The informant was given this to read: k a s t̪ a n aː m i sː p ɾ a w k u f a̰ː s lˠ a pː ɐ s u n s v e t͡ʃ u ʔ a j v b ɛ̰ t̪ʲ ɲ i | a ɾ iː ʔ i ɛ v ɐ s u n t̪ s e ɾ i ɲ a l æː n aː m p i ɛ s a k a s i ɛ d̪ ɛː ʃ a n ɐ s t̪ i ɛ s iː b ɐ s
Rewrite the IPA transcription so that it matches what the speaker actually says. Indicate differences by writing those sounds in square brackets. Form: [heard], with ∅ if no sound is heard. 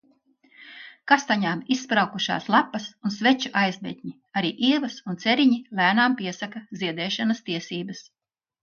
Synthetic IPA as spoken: k a s t̪ a [ɲ] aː m i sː p ɾ a w k u [ʃ] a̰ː s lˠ a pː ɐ s u n s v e t͡ʃ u ʔ a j [z] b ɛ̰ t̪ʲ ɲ i | a ɾ iː ʔ i ɛ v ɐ s u n t̪ s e ɾ i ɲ [i] l æː n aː m p i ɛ s a k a [z] i ɛ d̪ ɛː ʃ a n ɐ s t̪ i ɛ s iː b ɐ s